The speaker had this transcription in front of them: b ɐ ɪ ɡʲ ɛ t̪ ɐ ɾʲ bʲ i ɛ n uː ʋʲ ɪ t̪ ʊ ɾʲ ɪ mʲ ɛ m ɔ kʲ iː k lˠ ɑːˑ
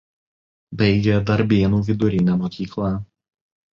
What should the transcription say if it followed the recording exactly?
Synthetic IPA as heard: b ɐ ɪ ɡʲ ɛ d̪ ɐ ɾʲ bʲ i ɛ n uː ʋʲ ɪ d̪ ʊ ɾʲ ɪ nʲ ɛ m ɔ kʲ iː k lˠ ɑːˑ